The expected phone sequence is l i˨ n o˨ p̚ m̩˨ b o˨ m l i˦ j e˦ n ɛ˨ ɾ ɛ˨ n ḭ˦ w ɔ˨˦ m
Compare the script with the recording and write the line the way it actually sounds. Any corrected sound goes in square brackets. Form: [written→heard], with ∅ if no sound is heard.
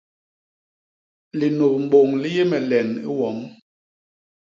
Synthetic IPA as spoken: l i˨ n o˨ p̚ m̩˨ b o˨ [m→ŋ] l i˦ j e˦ [n→m] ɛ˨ [ɾ→l] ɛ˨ n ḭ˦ w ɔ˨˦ m